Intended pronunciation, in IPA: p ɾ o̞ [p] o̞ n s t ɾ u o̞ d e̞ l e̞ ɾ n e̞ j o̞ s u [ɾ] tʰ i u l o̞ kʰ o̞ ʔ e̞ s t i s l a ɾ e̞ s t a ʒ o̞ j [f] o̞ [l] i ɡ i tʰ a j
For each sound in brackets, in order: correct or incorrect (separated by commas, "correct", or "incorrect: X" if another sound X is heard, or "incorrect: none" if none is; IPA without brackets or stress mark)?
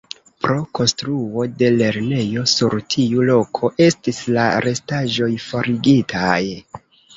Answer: incorrect: k, correct, correct, incorrect: ɾ